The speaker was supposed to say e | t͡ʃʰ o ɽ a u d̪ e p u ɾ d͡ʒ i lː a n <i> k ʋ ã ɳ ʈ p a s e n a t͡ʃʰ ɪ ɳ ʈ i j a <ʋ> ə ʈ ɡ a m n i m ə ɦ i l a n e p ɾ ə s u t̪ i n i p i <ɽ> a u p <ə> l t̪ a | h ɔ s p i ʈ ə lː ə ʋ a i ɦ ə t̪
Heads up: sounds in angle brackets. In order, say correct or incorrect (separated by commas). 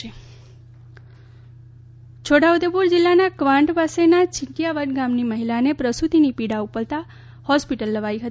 incorrect, correct, correct, correct